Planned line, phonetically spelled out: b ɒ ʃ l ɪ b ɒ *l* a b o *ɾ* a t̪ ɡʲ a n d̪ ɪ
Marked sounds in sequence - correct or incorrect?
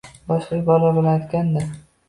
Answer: correct, incorrect

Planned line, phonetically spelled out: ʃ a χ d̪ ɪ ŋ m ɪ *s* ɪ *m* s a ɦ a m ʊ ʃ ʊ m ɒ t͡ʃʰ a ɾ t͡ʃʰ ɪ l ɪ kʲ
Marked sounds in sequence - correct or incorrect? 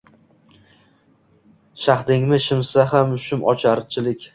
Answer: incorrect, correct

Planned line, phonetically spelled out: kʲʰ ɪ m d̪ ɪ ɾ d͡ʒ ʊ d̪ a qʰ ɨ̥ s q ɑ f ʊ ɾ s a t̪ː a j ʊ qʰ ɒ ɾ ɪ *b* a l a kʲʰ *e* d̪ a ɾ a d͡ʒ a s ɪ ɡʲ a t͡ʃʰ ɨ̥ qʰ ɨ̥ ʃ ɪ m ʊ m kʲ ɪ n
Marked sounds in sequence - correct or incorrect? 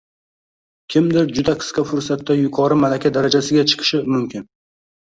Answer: incorrect, incorrect

